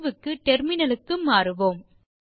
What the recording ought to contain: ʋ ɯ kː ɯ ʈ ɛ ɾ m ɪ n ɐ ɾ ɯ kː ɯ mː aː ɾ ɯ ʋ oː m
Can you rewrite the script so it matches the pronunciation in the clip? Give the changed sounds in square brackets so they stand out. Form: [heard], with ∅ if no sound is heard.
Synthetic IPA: ʋ ɯ kː ɯ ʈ ɛ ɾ m ɪ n ɐ [l] ɯ kː ɯ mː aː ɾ ɯ ʋ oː m